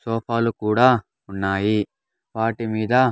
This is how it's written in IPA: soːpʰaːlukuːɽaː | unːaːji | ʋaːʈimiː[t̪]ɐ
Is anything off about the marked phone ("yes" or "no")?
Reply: yes